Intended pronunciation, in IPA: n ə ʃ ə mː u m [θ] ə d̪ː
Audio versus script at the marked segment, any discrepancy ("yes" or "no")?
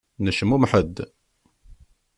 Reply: yes